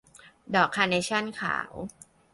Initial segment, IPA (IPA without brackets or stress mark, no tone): d